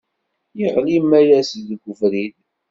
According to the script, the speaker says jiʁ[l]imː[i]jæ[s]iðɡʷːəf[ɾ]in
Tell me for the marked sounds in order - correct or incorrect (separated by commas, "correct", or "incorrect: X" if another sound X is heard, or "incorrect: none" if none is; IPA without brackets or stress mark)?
correct, incorrect: æ, correct, correct